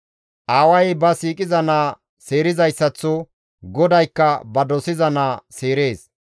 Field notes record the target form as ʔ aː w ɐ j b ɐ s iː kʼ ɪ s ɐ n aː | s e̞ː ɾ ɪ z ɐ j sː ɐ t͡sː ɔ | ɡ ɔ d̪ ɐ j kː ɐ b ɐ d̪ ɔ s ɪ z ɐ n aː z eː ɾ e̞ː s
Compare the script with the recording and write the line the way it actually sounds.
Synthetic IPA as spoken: ʔ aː w ɐ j b ɐ s iː kʼ ɪ z ɐ n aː | s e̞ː ɾ ɪ z ɐ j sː ɐ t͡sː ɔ | ɡ ɔ d̪ ɐ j kː ɐ b ɐ d̪ ɔ s ɪ z ɐ n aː s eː ɾ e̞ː s